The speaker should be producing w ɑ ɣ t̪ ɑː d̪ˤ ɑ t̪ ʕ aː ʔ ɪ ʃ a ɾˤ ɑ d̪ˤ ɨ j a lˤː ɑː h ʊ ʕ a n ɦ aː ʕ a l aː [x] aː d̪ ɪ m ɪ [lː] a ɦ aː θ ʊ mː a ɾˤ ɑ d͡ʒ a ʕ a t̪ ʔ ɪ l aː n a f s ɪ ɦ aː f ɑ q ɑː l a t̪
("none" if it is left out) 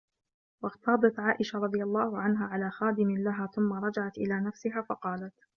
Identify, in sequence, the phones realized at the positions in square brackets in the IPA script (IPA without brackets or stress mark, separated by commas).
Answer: x, l